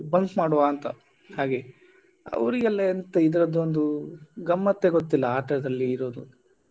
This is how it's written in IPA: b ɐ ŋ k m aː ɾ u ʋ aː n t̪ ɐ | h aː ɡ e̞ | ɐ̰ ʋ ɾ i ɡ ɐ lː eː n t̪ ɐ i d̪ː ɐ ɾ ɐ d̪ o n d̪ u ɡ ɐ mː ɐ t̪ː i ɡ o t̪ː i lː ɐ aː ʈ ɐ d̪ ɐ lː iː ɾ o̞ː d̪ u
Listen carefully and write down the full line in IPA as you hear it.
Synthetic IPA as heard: b ɐ ŋ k m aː ɽ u ʋ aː n t̪ ɐ | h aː ɡ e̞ | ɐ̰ ʋ ɾ i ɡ ɐ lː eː n t̪ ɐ i d̪ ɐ ɾ ɐ d̪ o n d̪ u ɡ ɐ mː ɐ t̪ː e ɡ o t̪ː i lː ɐ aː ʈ ɐ d̪ ɐ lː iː ɾ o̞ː d̪ u